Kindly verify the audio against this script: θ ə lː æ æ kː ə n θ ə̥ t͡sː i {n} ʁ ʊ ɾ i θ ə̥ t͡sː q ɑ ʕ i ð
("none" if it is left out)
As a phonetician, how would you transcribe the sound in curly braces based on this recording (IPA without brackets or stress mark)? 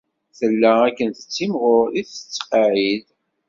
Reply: m